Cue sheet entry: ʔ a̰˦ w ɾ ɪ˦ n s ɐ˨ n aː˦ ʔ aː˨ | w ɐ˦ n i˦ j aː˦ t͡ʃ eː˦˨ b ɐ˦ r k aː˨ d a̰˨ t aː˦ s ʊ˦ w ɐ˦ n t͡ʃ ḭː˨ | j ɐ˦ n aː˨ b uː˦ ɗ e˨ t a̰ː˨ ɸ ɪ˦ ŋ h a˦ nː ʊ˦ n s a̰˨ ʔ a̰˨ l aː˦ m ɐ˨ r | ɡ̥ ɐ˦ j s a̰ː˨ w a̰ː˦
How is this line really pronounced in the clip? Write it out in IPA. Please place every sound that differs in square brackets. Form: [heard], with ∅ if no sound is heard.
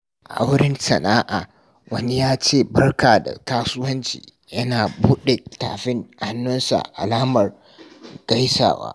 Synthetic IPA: ʔ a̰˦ w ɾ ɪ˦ n s ɐ˨ n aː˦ ʔ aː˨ | w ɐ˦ n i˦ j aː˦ t͡ʃ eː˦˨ b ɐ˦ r k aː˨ d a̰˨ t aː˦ s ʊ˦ w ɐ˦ n t͡ʃ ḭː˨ | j ɐ˦ n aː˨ b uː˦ ɗ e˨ t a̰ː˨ ɸ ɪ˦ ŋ h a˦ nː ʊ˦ n s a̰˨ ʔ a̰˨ l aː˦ m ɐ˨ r | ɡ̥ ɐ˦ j s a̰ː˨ w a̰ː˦